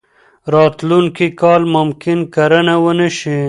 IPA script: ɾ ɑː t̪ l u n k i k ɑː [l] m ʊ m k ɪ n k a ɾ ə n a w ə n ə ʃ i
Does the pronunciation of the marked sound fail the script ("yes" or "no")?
no